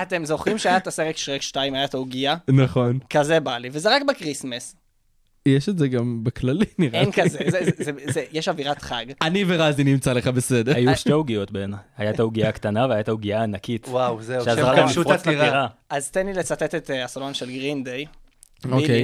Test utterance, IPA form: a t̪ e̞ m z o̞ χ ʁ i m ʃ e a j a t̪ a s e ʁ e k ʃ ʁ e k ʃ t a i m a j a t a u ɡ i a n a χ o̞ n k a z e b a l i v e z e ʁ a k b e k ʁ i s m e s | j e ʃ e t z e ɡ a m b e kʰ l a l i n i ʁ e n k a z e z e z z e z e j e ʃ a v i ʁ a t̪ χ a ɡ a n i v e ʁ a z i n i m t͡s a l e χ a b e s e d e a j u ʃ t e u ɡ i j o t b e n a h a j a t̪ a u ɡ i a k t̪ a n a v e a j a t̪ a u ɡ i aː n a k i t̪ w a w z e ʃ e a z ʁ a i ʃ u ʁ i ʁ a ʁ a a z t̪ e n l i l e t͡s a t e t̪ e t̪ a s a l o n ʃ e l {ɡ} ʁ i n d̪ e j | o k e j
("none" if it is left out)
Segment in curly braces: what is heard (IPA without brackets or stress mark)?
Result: ɡ